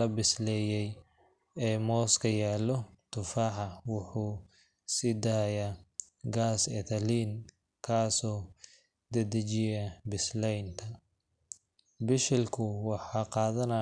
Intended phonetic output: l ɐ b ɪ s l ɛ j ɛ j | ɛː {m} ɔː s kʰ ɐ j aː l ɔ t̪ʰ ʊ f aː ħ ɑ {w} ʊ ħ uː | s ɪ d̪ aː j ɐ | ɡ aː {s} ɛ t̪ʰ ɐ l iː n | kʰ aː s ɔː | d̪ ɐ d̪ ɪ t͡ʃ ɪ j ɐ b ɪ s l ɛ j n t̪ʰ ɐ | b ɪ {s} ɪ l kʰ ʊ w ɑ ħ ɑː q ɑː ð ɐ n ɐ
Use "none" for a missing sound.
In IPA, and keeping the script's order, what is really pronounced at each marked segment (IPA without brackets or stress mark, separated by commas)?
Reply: m, w, s, ʃ